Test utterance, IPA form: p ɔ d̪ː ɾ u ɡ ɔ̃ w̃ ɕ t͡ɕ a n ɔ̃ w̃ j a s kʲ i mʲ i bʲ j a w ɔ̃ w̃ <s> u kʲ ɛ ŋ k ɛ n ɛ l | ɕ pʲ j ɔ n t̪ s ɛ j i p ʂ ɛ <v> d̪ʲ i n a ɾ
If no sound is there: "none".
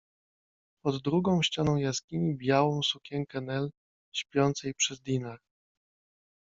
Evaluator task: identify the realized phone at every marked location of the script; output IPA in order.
s, z

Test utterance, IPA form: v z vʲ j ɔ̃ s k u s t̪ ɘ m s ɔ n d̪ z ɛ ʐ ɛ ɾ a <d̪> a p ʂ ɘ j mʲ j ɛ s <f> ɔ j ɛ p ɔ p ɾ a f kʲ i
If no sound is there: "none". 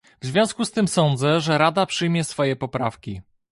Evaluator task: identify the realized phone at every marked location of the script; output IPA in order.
d̪, f

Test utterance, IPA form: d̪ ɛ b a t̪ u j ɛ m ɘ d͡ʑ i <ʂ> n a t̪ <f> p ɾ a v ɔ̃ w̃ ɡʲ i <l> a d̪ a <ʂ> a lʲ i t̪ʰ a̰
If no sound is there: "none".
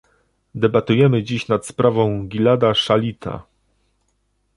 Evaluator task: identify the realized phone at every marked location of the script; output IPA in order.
ɕ, s, l, ʂ

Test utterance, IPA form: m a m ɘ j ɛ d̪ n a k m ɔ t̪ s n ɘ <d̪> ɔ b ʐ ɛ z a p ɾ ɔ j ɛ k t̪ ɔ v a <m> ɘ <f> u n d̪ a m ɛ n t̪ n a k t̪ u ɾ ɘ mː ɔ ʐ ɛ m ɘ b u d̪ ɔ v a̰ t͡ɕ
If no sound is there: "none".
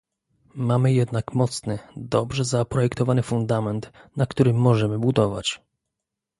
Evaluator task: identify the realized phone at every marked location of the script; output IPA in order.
d̪, n, f

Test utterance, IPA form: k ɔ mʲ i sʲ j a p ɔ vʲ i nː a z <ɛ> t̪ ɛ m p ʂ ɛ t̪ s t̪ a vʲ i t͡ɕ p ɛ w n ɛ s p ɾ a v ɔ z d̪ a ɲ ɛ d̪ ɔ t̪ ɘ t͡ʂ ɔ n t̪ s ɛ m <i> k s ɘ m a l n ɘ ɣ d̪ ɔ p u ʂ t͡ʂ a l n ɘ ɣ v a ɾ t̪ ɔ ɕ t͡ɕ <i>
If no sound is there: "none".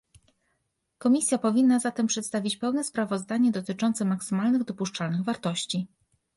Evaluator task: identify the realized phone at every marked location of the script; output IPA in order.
a, a, i

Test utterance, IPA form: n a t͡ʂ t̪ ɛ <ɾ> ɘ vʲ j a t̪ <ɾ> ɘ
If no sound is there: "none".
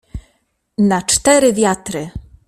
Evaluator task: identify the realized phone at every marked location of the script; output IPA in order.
ɾ, ɾ

